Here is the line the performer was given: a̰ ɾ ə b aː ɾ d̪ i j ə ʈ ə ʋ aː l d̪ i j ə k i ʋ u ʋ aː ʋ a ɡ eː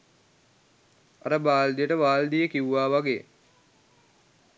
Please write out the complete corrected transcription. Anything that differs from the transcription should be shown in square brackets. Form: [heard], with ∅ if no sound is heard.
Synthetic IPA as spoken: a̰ ɾ ə b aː [l] d̪ i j ə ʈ ə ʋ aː l d̪ i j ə k i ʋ u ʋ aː ʋ a ɡ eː